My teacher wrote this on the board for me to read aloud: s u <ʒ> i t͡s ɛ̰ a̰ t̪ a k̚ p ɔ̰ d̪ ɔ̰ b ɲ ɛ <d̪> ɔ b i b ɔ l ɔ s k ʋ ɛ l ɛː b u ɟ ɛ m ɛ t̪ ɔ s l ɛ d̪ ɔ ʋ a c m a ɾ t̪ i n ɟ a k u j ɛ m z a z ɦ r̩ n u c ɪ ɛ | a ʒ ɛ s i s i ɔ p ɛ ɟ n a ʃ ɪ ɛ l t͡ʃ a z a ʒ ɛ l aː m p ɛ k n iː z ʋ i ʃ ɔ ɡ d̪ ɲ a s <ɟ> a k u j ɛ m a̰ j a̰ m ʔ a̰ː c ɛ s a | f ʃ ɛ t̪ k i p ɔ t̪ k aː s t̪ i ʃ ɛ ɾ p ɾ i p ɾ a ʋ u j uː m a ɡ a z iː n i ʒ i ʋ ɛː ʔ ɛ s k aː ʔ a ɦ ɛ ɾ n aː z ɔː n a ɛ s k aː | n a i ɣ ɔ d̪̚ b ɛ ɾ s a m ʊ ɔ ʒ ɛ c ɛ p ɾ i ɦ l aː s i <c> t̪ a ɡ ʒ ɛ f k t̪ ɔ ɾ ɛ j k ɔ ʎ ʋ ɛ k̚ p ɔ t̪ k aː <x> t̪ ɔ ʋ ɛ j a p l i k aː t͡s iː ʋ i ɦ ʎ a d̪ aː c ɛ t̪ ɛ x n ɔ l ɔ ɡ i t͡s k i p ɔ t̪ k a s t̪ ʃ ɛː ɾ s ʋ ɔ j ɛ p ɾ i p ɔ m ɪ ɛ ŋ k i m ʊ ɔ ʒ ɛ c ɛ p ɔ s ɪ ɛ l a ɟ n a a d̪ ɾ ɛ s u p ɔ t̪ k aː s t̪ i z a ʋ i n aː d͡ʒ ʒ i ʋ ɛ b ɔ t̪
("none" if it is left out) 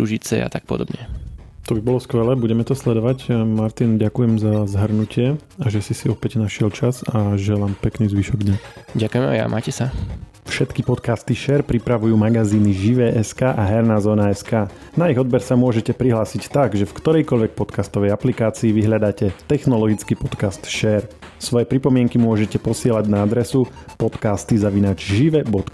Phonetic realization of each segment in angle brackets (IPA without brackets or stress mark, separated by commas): ʒ, t̪, ɟ, c, s